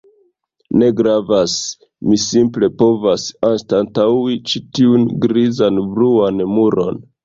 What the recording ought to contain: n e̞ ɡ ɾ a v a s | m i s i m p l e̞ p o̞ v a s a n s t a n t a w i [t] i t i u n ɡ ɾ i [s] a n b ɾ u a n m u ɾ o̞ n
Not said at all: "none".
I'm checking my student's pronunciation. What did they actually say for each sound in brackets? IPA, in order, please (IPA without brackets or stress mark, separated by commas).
t͡ʃ, z